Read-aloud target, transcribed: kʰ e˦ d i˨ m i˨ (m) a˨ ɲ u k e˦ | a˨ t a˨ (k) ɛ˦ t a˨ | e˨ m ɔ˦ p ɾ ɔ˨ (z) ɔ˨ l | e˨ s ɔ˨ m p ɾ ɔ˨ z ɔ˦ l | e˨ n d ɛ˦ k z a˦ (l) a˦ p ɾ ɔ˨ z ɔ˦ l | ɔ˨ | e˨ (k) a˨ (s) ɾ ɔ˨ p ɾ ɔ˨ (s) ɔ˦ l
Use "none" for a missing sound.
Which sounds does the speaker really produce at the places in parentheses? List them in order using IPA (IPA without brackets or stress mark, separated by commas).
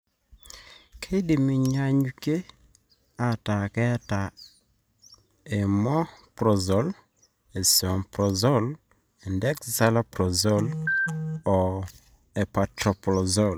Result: ɲ, k, z, l, p, t, z